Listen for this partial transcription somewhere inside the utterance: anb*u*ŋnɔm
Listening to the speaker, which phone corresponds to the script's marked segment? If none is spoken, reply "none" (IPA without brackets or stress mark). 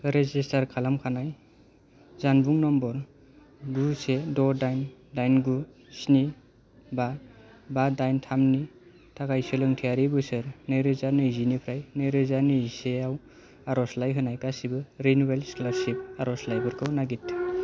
u